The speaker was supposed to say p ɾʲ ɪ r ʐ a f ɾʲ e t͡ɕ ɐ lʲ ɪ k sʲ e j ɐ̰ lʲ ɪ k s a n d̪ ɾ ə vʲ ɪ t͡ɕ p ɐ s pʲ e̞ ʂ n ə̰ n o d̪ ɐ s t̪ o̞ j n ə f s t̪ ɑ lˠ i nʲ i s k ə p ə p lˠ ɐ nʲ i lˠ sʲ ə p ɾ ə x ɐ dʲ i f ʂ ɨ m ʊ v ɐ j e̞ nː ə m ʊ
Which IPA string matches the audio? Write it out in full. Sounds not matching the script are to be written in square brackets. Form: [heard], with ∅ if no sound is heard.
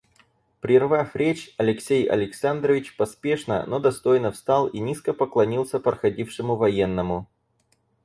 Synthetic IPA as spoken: p ɾʲ ɪ r [v] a f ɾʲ e t͡ɕ ɐ lʲ ɪ k sʲ e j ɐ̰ lʲ ɪ k s a n d̪ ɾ ə vʲ ɪ t͡ɕ p ɐ s pʲ e̞ ʂ n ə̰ n o d̪ ɐ s t̪ o̞ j n ə f s t̪ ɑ lˠ i nʲ i s k ə p ə [k] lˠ ɐ nʲ i lˠ sʲ ə p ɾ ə x ɐ dʲ i f ʂ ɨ m ʊ v ɐ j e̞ nː ə m ʊ